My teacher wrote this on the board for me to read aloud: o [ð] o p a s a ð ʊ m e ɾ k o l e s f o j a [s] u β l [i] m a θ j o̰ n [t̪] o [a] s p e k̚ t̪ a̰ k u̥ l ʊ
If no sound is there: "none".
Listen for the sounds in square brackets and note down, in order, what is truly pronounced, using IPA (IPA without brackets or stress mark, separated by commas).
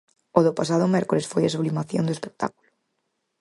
ð, s, i, d̪, e